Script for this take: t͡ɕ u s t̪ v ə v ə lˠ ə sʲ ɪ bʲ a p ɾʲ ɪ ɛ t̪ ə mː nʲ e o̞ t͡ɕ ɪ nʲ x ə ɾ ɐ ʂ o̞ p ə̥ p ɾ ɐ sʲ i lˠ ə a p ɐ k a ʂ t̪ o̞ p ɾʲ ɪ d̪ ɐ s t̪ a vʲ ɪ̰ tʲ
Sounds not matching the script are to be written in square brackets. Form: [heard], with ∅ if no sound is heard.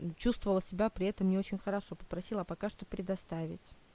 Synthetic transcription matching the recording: t͡ɕ u s t̪ v ə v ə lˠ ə sʲ ɪ bʲ a p ɾʲ ɪ ɛ t̪ ə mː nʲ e o̞ t͡ɕ ɪ nʲ x ə ɾ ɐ ʂ o̞ p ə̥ p ɾ ɐ sʲ i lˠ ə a p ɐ k a ʂ t̪ o̞ p ɾʲ ɪ d̪ ɐ s t̪ a vʲ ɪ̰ tʲ